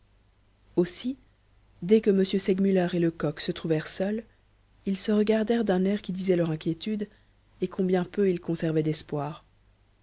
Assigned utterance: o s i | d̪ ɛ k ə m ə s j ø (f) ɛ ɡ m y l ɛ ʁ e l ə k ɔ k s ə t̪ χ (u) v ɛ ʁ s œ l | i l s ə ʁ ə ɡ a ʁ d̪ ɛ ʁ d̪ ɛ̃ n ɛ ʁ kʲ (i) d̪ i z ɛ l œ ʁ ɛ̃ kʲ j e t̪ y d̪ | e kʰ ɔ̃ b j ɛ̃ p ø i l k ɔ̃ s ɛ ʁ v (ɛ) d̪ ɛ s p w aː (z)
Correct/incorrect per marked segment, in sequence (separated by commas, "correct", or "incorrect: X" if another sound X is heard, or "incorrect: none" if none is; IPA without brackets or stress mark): incorrect: s, correct, correct, correct, incorrect: ʁ